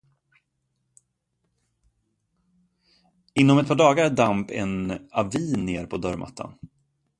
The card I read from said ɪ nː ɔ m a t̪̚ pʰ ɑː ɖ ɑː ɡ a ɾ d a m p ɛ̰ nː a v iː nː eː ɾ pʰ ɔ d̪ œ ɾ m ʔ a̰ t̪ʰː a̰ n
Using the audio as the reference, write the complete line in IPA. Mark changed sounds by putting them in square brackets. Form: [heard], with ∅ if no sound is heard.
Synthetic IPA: ɪ nː ɔ m [ɛ] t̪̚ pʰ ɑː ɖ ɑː ɡ a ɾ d a m p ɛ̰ [n] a v iː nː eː ɾ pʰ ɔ d̪ œ ɾ m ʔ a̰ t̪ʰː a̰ n